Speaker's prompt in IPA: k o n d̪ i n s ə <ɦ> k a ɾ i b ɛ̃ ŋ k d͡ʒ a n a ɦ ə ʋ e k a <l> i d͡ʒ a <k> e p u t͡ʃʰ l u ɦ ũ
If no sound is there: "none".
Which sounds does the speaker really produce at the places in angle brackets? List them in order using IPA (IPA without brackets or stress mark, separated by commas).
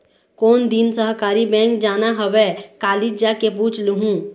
ɦ, l, k